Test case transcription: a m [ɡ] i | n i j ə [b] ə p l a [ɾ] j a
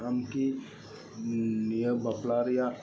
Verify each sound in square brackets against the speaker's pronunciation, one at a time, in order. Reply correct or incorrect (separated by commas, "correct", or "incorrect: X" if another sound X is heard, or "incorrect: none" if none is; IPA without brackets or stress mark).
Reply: incorrect: k, correct, correct